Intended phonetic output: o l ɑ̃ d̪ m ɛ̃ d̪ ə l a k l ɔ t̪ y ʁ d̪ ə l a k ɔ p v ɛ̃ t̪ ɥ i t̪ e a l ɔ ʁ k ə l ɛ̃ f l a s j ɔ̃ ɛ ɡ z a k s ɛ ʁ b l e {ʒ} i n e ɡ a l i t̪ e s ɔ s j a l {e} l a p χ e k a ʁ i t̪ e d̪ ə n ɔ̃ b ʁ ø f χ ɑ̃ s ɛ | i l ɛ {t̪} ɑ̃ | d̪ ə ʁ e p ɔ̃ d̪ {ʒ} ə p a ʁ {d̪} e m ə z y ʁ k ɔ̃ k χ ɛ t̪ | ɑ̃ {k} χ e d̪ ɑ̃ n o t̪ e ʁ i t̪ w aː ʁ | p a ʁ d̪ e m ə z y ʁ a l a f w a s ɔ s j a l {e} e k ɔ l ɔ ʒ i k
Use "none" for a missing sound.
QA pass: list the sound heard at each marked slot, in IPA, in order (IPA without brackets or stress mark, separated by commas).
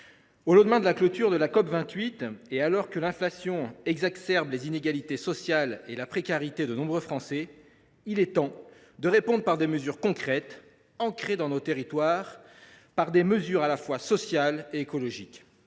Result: z, e, t̪, ʁ, d̪, k, e